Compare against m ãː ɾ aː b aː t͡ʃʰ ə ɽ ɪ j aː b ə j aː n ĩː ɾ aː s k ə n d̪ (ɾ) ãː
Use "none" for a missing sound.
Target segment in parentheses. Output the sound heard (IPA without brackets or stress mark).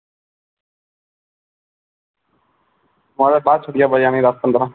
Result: ɾ